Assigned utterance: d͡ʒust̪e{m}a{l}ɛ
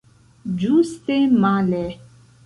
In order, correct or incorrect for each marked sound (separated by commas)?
correct, correct